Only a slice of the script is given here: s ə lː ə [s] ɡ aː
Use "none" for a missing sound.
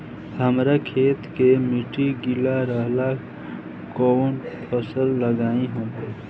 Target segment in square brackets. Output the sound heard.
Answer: none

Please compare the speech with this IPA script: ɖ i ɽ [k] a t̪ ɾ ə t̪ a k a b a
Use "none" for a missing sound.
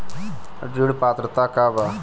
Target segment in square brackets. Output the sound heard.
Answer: p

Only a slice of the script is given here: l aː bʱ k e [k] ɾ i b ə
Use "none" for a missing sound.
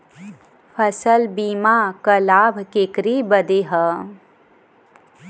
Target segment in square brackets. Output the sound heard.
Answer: k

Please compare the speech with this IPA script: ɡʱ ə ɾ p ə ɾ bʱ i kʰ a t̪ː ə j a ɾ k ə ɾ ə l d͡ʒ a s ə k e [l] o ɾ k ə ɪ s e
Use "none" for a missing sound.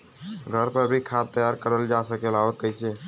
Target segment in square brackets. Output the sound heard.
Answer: l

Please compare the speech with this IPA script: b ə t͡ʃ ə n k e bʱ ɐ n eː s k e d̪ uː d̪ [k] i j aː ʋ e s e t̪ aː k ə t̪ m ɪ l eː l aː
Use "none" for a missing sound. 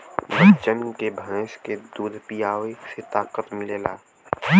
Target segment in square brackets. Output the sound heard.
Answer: p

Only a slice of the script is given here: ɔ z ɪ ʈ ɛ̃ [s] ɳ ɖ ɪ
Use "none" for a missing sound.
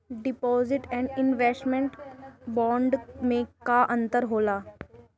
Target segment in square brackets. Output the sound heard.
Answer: none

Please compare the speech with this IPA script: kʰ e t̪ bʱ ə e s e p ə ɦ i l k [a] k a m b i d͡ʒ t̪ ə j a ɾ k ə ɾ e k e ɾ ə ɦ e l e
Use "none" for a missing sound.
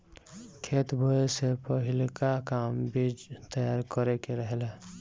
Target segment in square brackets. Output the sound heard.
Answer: a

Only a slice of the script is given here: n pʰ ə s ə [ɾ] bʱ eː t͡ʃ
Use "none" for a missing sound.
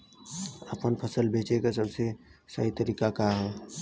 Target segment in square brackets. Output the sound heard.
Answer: l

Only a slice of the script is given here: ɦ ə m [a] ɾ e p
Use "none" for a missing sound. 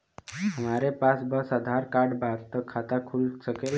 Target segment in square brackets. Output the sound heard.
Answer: a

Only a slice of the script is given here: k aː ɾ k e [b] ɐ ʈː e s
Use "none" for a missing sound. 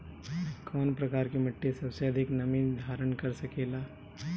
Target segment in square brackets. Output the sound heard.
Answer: m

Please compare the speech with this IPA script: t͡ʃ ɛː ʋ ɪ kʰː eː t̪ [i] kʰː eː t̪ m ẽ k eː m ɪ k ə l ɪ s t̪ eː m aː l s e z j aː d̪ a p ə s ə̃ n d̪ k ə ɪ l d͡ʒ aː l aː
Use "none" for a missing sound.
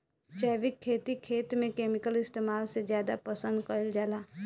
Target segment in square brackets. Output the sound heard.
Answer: i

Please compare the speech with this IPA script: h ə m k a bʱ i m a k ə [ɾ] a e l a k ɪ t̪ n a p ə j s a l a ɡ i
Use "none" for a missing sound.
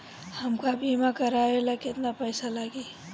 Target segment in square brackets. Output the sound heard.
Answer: ɾ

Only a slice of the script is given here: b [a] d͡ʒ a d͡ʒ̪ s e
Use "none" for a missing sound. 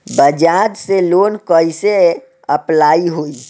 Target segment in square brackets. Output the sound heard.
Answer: ə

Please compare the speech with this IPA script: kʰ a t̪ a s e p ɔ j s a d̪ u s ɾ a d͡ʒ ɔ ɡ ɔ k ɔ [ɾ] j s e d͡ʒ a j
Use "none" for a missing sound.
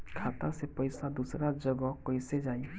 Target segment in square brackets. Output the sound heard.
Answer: none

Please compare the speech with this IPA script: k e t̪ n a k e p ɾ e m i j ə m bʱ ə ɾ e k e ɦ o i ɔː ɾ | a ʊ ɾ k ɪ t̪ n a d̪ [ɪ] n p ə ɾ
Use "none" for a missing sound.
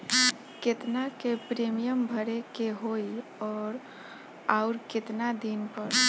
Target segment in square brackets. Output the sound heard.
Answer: i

